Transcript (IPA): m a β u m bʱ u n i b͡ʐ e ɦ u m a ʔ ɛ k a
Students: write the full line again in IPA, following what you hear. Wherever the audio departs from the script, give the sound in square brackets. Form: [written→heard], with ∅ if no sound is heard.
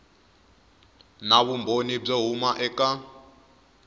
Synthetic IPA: [m→n] a β u m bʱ [u→o] n i b͡ʐ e ɦ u m a ʔ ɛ k a